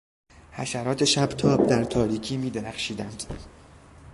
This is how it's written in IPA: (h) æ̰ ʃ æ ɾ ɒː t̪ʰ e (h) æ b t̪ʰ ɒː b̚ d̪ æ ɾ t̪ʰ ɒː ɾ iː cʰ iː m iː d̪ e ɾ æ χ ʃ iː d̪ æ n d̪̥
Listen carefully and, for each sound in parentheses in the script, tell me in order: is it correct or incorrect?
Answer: correct, incorrect

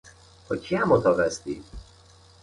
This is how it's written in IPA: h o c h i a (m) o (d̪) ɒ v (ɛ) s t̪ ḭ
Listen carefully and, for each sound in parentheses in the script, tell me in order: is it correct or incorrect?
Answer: correct, incorrect, correct

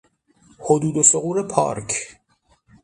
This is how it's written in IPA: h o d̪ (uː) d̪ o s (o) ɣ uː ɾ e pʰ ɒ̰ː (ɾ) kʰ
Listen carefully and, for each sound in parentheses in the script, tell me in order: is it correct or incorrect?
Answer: correct, correct, correct

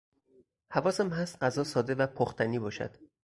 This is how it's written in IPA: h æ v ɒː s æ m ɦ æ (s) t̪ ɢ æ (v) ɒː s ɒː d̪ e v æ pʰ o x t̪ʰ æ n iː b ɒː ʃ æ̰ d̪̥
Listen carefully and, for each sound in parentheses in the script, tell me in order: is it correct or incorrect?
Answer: correct, incorrect

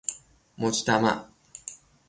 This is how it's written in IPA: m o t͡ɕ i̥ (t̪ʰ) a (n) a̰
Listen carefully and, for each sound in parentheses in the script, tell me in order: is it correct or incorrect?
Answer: incorrect, incorrect

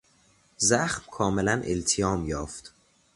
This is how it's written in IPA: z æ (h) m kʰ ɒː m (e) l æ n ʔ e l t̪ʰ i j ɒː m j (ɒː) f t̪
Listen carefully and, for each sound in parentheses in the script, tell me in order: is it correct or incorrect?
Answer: incorrect, correct, correct

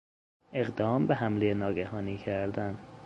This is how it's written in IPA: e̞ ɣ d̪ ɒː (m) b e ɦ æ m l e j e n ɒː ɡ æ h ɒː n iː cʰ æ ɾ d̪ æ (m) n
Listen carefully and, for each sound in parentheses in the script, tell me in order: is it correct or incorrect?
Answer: correct, incorrect

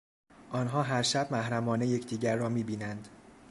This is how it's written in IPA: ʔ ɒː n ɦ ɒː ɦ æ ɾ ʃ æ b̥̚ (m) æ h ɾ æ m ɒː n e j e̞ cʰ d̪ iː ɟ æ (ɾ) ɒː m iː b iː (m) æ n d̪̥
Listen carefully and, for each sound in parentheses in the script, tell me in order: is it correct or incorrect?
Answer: correct, incorrect, incorrect

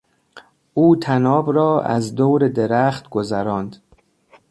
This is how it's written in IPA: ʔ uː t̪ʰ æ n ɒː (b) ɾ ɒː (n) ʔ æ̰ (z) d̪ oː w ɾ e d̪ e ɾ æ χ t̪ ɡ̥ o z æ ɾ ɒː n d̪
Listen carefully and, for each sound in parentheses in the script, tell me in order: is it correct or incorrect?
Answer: correct, incorrect, correct

